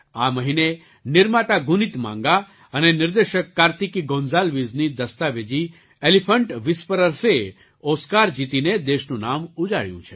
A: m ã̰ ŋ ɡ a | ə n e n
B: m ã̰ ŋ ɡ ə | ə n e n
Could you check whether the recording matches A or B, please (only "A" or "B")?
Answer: A